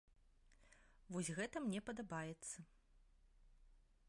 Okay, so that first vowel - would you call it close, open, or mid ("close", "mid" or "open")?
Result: mid